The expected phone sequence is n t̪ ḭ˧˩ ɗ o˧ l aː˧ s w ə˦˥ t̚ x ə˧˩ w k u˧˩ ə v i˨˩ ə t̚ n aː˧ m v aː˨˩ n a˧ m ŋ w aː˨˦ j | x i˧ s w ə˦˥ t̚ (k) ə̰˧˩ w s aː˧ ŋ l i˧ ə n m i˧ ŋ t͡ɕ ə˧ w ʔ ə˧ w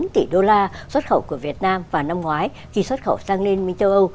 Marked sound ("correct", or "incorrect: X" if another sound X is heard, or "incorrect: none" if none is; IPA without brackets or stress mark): incorrect: x